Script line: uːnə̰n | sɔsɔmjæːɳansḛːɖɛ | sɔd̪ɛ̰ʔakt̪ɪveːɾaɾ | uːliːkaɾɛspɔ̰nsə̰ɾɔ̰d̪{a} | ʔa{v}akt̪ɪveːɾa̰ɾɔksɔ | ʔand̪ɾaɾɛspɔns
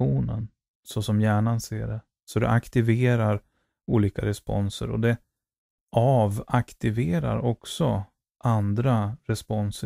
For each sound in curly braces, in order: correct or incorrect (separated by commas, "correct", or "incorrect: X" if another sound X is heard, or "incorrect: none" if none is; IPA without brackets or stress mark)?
incorrect: ɛ, correct